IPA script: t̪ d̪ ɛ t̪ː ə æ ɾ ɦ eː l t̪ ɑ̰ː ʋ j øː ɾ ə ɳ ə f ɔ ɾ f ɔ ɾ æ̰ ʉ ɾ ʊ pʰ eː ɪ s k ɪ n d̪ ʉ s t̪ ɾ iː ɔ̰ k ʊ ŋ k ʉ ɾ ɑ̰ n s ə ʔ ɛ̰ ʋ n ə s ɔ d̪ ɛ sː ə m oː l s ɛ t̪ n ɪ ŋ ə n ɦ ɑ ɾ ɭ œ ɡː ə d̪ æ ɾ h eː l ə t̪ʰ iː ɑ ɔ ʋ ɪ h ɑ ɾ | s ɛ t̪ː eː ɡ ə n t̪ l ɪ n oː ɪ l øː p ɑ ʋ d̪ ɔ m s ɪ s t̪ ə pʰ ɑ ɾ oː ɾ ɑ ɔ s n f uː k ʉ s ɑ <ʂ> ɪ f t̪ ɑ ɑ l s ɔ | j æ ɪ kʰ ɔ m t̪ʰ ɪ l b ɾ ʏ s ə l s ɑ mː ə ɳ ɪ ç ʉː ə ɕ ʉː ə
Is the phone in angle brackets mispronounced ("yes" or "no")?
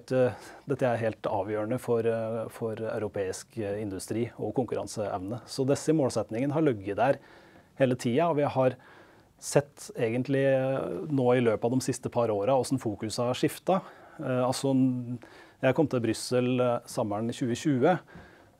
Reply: no